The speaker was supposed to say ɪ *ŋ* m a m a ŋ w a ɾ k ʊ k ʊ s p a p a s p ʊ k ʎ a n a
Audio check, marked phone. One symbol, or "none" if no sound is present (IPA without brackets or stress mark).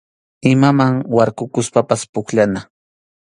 none